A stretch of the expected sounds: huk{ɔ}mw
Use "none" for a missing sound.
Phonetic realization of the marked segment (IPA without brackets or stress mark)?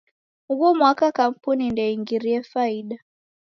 ɔ